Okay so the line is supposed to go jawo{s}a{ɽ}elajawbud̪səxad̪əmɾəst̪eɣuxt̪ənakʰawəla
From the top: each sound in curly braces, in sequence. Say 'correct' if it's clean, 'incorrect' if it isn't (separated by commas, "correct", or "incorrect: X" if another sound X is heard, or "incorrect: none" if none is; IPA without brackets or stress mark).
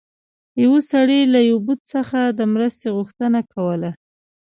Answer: correct, correct